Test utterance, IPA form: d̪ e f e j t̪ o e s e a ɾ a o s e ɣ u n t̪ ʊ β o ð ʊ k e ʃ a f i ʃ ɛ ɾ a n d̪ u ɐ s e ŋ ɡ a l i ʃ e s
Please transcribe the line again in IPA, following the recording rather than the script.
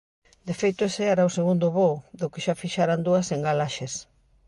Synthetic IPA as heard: d̪ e f e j t̪ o e s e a ɾ a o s e ɣ u n d̪ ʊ β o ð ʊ k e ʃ a f i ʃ a ɾ a n d̪ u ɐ s e ŋ ɡ a l a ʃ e s